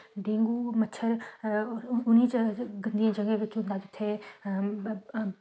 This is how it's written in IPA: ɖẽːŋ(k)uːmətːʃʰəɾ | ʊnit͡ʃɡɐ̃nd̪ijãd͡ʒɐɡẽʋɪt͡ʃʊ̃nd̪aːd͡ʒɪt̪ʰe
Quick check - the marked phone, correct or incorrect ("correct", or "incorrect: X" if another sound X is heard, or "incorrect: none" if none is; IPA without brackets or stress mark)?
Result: incorrect: ɡ